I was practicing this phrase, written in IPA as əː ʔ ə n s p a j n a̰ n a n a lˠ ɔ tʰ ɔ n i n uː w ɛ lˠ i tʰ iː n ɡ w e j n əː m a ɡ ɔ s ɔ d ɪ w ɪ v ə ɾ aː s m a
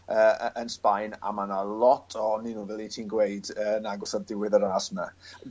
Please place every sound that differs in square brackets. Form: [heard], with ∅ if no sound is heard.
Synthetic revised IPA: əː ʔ ə n s p a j n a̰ [m] a n a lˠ ɔ tʰ ɔ n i n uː [v] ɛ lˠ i tʰ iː n ɡ w e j [d] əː [n] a ɡ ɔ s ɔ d ɪ w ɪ [ð] ə ɾ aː s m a